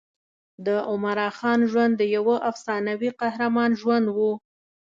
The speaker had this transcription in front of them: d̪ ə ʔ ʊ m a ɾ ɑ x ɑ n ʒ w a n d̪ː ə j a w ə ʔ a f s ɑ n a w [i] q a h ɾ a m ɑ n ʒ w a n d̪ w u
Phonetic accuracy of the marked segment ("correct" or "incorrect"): correct